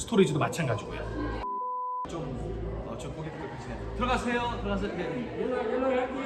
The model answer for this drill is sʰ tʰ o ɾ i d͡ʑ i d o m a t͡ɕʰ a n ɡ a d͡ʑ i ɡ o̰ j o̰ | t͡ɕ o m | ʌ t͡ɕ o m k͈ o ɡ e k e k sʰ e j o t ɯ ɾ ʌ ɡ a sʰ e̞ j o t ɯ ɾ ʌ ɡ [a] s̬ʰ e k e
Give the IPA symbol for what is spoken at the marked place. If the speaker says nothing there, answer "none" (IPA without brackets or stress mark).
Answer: a